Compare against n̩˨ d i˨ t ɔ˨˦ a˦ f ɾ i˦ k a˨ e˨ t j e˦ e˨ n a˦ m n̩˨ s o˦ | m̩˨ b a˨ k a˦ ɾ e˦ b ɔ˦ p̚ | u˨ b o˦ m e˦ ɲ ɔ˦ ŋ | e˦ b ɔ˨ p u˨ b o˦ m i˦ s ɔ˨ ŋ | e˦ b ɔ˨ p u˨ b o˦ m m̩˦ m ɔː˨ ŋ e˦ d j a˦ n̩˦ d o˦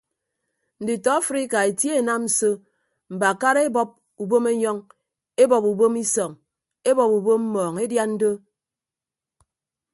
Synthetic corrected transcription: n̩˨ d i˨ t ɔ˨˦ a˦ f ɾ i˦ k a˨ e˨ t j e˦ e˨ n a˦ m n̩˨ s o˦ | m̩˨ b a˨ k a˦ ɾ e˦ b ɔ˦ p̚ | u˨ b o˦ m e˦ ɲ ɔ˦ ŋ | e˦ b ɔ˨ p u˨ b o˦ m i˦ s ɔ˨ ŋ | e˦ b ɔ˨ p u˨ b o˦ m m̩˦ m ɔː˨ ŋ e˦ d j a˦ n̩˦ d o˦